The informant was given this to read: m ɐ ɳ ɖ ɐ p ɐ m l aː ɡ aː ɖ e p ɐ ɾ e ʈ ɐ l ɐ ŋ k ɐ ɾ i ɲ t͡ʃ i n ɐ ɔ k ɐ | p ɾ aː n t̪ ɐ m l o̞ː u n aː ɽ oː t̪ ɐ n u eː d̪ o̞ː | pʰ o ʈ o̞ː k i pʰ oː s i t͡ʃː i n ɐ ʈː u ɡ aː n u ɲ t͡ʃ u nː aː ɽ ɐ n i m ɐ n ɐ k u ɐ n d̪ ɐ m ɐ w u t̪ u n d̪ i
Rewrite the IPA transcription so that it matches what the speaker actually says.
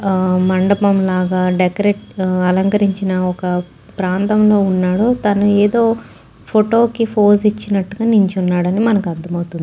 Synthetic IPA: m ɐ ɳ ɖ ɐ p ɐ m l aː ɡ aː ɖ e k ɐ ɾ e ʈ ɐ l ɐ ŋ k ɐ ɾ i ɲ t͡ʃ i n ɐ ɔ k ɐ | p ɾ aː n t̪ ɐ m l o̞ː u nː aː ɽ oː t̪ ɐ n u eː d̪ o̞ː | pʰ o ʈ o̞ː k i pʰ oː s i t͡ʃː i n ɐ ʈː u ɡ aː n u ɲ t͡ʃ u nː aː ɽ ɐ n i m ɐ n ɐ k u ɐ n d̪ ɐ m ɐ w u t̪ u n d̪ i